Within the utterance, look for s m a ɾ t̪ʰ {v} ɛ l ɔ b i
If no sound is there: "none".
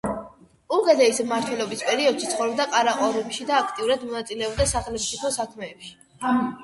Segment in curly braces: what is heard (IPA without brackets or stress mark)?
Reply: w